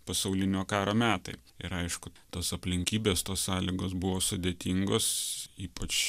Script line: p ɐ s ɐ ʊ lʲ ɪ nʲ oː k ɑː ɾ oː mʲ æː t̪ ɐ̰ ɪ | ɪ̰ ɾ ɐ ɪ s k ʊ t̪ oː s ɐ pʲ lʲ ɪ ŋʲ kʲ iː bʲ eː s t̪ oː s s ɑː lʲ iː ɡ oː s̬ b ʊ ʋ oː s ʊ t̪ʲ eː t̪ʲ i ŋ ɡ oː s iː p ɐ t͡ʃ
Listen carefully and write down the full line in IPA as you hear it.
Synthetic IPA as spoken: p ɐ s ɐ ʊ lʲ ɪ nʲ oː k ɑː ɾ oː mʲ æː t̪ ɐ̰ ɪ | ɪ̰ ɾ ɐ ɪ ʃ k ʊ t̪ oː s ɐ pʲ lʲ ɪ ŋʲ kʲ iː bʲ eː s t̪ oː s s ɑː lʲ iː ɡ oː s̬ b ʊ ʋ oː s ʊ d̪ʲ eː t̪ʲ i ŋ ɡ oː s iː p ɐ t͡ʃ